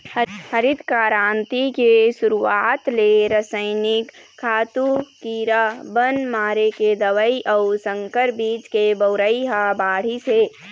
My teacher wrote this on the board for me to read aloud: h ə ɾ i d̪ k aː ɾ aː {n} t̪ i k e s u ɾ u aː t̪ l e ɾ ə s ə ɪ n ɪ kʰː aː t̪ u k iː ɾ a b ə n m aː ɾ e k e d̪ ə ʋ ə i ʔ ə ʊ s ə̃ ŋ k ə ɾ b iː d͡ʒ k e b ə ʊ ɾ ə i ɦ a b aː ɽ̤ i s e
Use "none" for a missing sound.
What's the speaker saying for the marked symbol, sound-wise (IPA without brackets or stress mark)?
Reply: n